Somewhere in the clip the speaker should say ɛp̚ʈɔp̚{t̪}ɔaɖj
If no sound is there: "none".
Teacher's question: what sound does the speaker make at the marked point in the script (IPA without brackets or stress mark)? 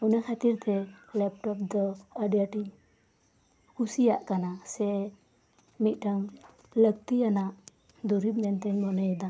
d̪